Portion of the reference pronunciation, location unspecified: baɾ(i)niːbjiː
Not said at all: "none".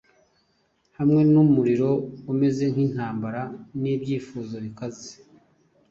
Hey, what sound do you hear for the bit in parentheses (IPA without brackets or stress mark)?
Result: a